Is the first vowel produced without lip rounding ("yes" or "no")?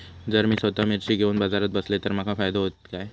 yes